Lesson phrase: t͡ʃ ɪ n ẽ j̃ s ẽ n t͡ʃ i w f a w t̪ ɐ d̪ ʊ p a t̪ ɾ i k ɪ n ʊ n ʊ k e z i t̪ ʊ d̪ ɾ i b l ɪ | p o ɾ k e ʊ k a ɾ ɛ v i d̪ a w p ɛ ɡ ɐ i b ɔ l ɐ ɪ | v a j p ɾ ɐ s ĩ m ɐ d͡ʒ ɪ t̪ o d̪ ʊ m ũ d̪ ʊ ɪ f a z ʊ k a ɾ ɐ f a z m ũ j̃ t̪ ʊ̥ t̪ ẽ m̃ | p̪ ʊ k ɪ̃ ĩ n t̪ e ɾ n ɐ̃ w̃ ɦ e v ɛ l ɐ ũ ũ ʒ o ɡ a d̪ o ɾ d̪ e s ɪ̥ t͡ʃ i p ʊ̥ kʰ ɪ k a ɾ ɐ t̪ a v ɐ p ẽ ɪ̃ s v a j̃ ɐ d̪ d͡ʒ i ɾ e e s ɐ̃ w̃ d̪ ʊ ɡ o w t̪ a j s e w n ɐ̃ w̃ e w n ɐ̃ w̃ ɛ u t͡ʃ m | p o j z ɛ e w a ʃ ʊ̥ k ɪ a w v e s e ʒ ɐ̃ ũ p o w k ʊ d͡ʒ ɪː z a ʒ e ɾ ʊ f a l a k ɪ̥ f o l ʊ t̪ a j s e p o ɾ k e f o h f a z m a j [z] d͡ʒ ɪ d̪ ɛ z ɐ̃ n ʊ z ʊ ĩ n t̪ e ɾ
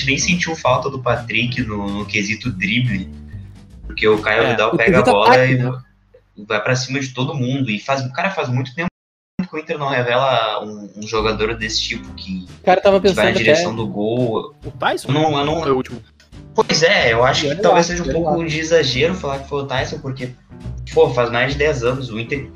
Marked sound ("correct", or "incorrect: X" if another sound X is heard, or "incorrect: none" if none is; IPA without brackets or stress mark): correct